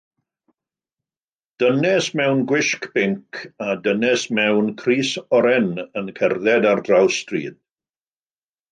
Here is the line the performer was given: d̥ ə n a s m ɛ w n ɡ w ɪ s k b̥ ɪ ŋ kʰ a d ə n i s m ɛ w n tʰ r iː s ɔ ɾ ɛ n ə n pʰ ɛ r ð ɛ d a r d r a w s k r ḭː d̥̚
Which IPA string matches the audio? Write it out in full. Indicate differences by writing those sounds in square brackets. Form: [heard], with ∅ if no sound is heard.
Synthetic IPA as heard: d̥ ə n [ɛ] s m ɛ w n ɡ w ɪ [ʃ] k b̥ ɪ ŋ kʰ a d ə n [ɛ] s m ɛ w n [kʰ] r iː s ɔ ɾ ɛ n ə n [kʰ] ɛ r ð ɛ d a r d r a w s [t] r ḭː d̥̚